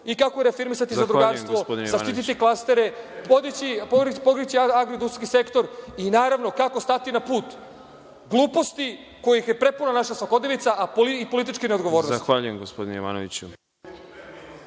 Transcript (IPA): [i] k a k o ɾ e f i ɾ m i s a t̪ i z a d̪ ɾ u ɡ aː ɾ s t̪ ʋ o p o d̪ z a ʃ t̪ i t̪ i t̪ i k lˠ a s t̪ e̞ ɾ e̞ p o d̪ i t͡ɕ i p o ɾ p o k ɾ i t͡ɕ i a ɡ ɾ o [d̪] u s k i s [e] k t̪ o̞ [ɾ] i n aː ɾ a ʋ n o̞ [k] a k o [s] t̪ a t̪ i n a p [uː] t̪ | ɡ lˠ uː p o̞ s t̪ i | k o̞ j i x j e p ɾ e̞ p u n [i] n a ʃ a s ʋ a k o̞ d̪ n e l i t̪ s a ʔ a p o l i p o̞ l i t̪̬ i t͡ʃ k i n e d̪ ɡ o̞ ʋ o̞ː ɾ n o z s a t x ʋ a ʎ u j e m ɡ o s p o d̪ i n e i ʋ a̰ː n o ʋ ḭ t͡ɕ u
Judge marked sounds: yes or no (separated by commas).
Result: yes, yes, yes, yes, yes, yes, yes, no